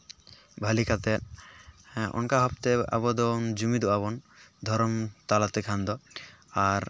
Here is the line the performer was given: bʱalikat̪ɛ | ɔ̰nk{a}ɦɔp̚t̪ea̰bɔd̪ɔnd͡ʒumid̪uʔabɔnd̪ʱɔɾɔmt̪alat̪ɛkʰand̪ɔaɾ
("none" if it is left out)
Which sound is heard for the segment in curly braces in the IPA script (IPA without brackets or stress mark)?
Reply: a